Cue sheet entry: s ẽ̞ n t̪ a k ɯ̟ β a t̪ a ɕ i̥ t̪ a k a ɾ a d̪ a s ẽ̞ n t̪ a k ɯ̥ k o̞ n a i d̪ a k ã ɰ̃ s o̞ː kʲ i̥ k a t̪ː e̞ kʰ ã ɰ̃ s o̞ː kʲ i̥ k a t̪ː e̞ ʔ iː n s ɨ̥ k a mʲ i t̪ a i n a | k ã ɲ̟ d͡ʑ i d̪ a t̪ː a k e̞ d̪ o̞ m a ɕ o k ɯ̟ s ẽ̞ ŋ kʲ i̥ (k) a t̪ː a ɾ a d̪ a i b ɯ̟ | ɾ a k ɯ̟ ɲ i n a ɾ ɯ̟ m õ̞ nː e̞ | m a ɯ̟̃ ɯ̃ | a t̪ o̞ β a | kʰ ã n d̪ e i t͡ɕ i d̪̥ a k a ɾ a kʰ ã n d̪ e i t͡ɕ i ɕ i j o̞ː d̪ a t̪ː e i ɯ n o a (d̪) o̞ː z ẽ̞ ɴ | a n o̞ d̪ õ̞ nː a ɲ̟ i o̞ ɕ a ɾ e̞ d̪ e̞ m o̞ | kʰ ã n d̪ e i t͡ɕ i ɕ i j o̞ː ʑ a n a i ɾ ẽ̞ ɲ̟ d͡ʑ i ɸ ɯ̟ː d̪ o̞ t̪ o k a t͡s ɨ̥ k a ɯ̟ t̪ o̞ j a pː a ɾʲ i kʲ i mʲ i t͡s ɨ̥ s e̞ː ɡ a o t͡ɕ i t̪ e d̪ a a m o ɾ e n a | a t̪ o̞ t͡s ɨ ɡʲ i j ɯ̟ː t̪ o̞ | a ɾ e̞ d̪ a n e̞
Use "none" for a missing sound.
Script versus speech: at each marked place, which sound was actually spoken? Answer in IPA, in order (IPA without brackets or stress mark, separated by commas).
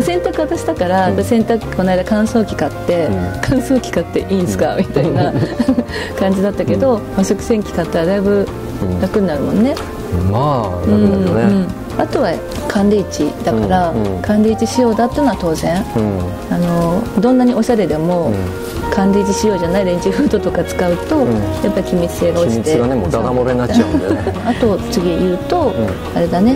k, t̪